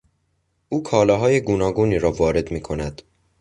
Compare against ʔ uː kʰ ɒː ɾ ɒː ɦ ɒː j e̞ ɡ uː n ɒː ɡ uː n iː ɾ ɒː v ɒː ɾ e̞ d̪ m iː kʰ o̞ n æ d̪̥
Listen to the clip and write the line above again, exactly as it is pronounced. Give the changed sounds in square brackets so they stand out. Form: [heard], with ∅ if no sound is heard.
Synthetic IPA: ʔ uː kʰ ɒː [l] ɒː ɦ ɒː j e̞ ɡ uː n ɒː ɡ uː n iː ɾ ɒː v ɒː ɾ e̞ d̪ m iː kʰ o̞ n æ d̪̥